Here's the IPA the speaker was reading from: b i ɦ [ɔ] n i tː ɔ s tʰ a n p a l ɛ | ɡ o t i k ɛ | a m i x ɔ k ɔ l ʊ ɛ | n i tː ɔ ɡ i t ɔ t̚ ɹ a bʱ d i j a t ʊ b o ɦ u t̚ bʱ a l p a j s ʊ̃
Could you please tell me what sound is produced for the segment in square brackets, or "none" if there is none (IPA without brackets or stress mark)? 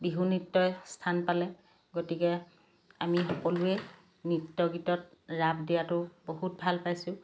u